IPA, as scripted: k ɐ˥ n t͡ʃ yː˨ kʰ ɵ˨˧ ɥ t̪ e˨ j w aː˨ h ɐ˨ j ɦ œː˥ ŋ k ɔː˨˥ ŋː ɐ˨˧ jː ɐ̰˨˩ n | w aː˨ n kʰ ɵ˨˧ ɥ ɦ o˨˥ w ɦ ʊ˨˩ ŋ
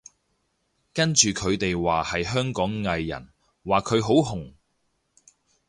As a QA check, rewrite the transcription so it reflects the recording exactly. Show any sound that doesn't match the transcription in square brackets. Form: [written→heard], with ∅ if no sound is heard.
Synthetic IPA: k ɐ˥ n t͡ʃ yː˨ kʰ ɵ˨˧ ɥ t̪ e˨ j w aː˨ h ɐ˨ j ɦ œː˥ ŋ k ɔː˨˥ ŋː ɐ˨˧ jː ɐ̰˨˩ n | w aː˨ [n→∅] kʰ ɵ˨˧ ɥ ɦ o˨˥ w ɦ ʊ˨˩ ŋ